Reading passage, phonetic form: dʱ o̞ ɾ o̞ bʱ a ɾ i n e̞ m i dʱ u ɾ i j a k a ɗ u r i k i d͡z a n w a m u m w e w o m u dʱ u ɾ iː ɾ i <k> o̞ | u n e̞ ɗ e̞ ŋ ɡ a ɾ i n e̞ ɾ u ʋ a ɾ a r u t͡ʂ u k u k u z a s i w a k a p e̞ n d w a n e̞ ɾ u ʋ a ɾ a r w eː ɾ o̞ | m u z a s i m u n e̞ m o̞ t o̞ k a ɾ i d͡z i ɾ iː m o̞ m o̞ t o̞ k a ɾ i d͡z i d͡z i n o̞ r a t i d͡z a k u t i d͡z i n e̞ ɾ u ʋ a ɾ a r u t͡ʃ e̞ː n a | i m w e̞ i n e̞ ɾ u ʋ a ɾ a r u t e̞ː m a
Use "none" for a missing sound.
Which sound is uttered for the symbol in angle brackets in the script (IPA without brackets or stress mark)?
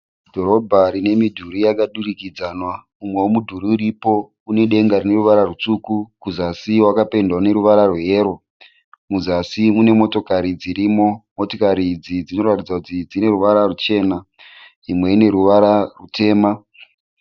p